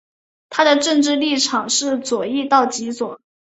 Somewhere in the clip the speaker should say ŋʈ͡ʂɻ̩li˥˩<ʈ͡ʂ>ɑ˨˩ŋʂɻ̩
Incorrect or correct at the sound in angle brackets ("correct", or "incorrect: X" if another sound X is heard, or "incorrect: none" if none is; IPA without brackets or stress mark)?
incorrect: ʈ͡ʂʰ